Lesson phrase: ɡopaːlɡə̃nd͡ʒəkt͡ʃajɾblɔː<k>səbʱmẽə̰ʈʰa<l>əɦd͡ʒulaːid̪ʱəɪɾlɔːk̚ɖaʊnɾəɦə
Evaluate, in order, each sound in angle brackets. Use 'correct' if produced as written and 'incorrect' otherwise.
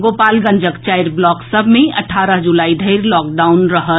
correct, incorrect: ɾ

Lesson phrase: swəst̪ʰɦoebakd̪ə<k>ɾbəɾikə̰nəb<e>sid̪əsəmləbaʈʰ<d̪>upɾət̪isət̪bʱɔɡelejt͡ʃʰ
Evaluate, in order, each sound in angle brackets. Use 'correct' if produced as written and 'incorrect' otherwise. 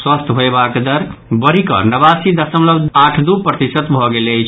incorrect: none, incorrect: a, correct

